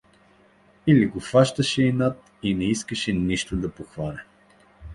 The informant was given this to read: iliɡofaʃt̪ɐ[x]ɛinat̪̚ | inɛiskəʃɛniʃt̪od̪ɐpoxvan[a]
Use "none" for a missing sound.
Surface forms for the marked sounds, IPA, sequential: ʃ, ɛ

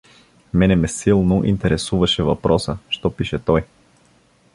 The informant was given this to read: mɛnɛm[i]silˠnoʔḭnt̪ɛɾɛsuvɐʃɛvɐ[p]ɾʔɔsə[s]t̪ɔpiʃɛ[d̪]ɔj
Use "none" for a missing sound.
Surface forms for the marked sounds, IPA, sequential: ɛ, p, ʃ, t̪

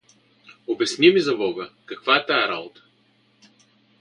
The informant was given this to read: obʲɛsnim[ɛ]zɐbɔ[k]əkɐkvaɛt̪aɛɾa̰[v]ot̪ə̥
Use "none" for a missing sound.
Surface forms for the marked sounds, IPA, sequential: i, ɡ, b

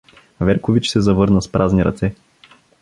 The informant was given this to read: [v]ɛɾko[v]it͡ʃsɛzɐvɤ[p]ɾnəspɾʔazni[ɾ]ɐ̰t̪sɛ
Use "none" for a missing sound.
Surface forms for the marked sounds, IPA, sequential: v, v, none, ɾ

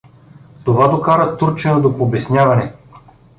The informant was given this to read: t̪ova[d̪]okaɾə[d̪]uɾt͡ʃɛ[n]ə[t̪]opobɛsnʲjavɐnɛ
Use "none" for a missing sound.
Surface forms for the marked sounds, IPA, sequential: d̪, t̪, n, d̪

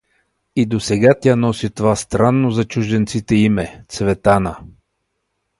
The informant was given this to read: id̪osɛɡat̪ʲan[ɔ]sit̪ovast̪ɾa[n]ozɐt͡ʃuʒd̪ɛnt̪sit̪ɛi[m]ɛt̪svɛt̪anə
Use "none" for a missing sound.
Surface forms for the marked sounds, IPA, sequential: ɔ, nː, m

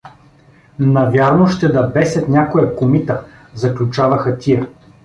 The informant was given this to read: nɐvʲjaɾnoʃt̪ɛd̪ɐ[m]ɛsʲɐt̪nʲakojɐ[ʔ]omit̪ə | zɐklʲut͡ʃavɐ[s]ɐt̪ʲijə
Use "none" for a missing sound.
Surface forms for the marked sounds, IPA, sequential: b, k, x

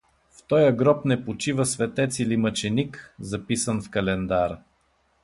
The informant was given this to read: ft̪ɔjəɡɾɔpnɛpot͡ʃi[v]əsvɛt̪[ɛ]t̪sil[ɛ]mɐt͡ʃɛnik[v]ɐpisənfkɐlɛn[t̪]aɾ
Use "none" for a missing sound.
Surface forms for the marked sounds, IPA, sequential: v, ɛ, i, z, d̪

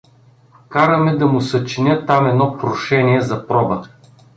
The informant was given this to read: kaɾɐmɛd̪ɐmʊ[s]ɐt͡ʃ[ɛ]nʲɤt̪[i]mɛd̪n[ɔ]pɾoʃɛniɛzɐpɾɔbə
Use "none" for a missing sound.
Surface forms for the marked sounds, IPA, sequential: s, i, a, ɔ

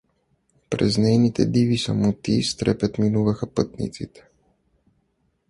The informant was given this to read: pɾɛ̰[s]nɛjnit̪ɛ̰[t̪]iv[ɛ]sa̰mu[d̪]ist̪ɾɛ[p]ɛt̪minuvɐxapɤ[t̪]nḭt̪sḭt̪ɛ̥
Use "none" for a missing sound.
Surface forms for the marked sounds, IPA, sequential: z, d̪, i, t̪, p, t̪

